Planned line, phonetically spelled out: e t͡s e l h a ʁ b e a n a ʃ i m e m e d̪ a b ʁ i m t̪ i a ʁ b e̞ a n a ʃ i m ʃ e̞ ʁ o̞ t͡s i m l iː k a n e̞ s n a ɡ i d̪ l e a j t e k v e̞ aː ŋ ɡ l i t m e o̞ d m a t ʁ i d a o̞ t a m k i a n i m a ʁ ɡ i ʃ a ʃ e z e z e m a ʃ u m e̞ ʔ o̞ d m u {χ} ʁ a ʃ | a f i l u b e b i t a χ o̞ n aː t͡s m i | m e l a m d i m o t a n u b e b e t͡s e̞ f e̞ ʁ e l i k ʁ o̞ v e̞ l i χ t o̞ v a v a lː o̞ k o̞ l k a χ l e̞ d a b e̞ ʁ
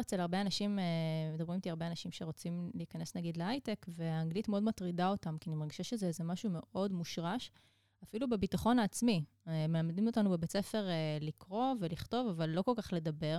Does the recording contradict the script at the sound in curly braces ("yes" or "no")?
yes